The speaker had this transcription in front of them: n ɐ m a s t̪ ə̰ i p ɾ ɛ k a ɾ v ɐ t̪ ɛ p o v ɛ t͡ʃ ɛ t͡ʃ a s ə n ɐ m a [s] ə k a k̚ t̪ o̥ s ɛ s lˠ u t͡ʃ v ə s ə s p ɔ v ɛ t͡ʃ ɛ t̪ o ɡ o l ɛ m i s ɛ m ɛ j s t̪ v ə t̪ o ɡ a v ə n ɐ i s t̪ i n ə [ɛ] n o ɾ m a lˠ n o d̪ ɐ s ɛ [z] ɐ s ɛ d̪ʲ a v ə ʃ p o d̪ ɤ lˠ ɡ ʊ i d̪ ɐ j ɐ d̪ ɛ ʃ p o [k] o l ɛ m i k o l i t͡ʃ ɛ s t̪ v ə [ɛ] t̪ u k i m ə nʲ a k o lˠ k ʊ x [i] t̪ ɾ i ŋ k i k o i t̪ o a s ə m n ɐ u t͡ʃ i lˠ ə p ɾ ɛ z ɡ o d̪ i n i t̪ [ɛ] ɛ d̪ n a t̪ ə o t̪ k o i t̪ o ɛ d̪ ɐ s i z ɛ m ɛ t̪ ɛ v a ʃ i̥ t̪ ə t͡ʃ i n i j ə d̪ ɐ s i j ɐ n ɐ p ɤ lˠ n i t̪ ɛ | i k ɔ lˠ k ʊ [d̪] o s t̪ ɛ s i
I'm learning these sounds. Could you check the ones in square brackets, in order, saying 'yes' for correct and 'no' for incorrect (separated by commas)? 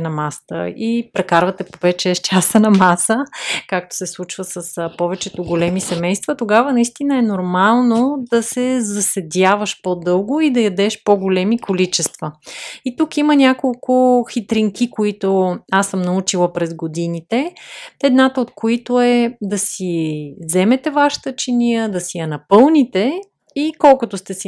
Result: yes, yes, yes, no, no, yes, yes, no